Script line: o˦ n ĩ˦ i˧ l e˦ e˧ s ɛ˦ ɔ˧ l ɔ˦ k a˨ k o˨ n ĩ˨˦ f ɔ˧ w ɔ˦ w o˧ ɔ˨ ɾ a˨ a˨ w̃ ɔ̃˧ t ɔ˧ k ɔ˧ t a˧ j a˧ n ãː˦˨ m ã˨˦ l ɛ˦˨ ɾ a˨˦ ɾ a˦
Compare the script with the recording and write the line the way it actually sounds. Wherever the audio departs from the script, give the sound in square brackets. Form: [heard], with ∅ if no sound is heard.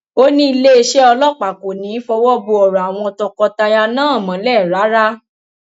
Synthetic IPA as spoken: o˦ n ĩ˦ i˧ l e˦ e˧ [ʃ] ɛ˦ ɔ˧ l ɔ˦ [k͡p] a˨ k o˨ n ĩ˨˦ f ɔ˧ w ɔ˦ [b] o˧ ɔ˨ ɾ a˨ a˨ w̃ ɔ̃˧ t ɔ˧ k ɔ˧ t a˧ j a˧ n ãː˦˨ m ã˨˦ l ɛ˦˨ ɾ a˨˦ ɾ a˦